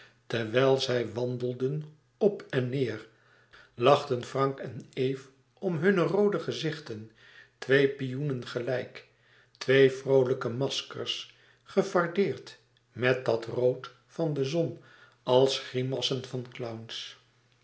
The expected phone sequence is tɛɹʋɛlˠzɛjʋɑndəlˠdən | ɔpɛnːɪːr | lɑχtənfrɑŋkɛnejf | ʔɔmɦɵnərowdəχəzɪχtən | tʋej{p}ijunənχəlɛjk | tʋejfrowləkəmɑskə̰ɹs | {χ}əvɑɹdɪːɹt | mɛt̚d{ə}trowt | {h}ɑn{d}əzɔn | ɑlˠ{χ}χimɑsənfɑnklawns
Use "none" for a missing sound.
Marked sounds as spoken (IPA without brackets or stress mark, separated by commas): p, χ, ɑ, f, d, s